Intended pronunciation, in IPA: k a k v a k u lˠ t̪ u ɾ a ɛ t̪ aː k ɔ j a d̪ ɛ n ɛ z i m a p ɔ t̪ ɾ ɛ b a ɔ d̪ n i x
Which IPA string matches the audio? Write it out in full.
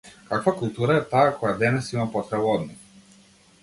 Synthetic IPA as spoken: k a k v a k u lˠ t̪ u ɾ a ɛ t̪ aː k ɔ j a d̪ ɛ n ɛ s i m a p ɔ t̪ ɾ ɛ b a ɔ d̪ n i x